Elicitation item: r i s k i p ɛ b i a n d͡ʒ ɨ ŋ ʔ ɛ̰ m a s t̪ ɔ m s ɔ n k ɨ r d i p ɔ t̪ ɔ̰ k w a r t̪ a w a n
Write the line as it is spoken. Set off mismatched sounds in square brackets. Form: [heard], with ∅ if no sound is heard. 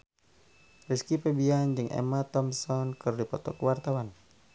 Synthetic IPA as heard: r i s k i p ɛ b i a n d͡ʒ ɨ ŋ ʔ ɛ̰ m a [∅] t̪ ɔ m s ɔ n k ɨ r d i p ɔ t̪ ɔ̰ k w a r t̪ a w a n